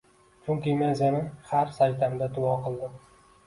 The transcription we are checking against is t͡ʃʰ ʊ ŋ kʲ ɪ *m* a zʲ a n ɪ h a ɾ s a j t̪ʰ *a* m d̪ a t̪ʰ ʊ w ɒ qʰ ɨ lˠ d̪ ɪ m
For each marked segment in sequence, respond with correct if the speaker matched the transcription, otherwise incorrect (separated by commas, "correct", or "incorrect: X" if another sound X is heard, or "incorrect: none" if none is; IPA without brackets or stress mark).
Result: correct, correct